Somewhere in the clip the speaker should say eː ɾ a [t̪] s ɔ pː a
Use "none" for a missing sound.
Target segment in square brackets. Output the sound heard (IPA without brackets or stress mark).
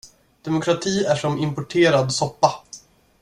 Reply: d̪